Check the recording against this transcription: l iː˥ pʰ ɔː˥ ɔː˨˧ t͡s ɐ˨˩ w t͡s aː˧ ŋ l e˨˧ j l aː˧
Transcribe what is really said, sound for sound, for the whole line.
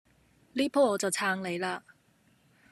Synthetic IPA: l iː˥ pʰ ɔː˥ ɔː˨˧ t͡s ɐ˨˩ w t͡sʰ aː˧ ŋ l e˨˧ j l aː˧

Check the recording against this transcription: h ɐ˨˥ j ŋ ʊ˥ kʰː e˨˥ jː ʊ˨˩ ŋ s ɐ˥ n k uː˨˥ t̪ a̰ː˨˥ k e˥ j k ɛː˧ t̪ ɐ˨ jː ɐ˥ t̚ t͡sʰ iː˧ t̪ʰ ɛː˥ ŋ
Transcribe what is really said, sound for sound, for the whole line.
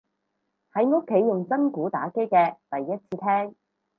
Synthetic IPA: h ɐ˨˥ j ŋ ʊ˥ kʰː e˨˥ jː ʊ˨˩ ŋ t͡s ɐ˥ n k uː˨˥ t̪ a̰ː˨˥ k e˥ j k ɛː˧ t̪ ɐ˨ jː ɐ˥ t̚ t͡sʰ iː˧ t̪ʰ ɛː˥ ŋ

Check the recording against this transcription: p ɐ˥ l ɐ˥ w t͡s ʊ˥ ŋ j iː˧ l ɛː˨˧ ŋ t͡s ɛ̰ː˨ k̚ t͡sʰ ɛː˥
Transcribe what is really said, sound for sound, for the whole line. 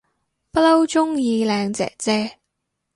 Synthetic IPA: p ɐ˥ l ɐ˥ w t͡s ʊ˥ ŋ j iː˧ l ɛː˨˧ ŋ t͡s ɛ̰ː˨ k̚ t͡s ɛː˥

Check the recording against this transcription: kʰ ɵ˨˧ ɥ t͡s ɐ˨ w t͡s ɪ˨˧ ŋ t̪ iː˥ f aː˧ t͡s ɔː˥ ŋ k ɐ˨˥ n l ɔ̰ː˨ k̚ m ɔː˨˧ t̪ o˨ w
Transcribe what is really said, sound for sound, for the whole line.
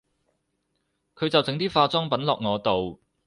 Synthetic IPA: kʰ ɵ˨˧ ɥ t͡s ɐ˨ w t͡s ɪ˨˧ ŋ t̪ iː˥ f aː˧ t͡s ɔː˥ ŋ p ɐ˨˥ n l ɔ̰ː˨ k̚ ŋ ɔː˨˧ t̪ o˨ w

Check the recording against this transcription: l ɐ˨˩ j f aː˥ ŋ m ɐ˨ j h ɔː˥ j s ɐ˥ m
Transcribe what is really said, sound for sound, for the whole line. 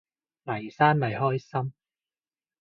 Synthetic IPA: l ɐ˨˩ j s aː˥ n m ɐ˨ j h ɔː˥ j s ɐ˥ m

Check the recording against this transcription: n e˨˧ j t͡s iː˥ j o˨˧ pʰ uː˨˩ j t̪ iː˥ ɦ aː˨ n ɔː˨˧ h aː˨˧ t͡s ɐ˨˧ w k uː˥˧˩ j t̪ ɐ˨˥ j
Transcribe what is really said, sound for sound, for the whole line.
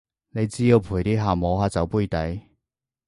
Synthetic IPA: n e˨˧ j t͡s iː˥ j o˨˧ pʰ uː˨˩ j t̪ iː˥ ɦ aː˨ m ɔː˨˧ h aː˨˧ t͡s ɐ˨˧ w p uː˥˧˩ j t̪ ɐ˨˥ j

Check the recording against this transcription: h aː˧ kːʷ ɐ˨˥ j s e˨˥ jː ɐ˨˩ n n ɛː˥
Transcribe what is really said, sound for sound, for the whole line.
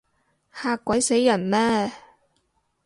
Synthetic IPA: h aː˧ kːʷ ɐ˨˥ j s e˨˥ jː ɐ˨˩ n m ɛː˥

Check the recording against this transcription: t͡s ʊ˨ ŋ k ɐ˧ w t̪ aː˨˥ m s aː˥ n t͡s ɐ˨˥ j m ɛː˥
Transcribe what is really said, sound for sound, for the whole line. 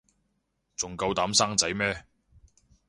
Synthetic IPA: t͡s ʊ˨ ŋ k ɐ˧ w t̪ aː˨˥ m s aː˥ ŋ t͡s ɐ˨˥ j m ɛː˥

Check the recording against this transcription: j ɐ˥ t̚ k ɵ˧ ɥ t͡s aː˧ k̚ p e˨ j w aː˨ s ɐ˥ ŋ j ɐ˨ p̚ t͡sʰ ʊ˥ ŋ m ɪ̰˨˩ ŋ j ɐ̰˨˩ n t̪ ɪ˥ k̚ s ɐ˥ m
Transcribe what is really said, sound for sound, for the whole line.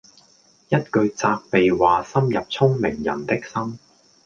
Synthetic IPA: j ɐ˥ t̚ k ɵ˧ ɥ t͡s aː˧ k̚ p e˨ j w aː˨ s ɐ˥ m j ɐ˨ p̚ t͡sʰ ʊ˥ ŋ m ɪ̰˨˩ ŋ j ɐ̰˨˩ n t̪ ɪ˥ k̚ s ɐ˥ m

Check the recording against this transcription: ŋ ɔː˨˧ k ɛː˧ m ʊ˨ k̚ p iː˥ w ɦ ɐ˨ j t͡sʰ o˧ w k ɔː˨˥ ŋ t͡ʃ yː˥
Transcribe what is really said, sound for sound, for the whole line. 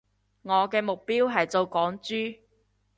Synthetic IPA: ŋ ɔː˨˧ k ɛː˧ m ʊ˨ k̚ p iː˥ w ɦ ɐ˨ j t͡s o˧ w k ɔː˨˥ ŋ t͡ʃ yː˥

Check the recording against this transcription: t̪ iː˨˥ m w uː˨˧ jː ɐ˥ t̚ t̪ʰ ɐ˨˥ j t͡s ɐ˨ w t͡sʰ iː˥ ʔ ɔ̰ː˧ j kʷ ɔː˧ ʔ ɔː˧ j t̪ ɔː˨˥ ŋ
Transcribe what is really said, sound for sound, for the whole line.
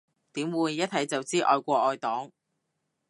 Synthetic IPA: t̪ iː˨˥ m w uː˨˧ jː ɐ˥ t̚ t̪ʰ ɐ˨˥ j t͡s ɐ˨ w t͡s iː˥ ʔ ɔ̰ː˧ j kʷ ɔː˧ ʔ ɔː˧ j t̪ ɔː˨˥ ŋ

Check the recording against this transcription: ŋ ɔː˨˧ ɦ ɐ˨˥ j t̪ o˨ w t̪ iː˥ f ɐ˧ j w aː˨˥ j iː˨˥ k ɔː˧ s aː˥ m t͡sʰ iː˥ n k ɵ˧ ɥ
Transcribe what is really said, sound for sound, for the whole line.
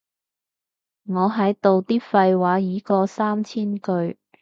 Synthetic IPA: ŋ ɔː˨˧ ɦ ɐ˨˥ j t̪ o˨ w t̪ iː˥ f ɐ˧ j w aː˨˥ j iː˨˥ k ɔː˧ s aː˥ m t͡sʰ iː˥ n k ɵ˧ ɥ

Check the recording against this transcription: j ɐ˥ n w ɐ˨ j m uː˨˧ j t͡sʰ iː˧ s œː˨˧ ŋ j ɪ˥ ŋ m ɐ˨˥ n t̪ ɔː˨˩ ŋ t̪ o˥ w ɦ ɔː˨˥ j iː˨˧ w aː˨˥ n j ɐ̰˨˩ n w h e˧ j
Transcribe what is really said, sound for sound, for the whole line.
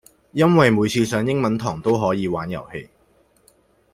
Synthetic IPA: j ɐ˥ n w ɐ˨ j m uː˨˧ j t͡sʰ iː˧ s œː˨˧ ŋ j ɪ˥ ŋ m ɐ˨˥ n t̪ʰ ɔː˨˩ ŋ t̪ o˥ w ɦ ɔː˨˥ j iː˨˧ w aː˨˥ n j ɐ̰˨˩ w h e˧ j

